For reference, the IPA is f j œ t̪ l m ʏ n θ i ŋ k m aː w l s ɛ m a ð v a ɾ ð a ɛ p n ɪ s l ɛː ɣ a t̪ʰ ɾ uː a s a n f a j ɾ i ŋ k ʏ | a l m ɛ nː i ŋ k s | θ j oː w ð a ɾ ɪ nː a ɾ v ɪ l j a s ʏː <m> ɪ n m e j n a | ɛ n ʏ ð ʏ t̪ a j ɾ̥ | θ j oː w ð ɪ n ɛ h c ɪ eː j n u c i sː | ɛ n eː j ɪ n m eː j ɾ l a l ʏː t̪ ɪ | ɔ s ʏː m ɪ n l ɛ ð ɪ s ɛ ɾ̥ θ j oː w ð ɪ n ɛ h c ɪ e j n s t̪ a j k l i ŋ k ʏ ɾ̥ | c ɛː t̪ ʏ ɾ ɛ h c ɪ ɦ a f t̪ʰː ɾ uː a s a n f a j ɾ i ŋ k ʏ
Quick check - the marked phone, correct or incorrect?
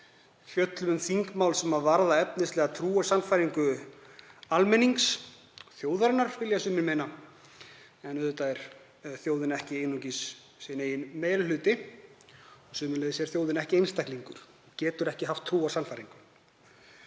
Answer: correct